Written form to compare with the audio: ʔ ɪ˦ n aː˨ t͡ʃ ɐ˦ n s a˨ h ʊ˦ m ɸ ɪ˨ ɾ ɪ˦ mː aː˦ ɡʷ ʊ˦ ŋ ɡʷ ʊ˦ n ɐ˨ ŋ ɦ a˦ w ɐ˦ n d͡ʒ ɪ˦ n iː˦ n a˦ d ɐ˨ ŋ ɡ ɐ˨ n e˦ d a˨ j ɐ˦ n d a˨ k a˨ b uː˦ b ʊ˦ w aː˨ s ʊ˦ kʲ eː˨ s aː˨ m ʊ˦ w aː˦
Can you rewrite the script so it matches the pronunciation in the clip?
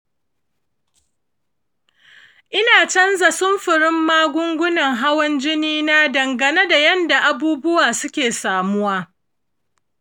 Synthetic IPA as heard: ʔ ɪ˦ n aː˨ t͡ʃ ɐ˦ n z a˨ s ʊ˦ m ɸ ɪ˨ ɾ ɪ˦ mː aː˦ ɡʷ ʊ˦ ŋ ɡʷ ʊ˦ n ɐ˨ ŋ ɦ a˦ w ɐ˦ n d͡ʒ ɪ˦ n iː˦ n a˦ d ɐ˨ ŋ ɡ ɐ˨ n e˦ d a˨ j ɐ˦ n d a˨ ʔ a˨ b uː˦ b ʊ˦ w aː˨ s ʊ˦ kʲ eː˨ s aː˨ m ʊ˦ w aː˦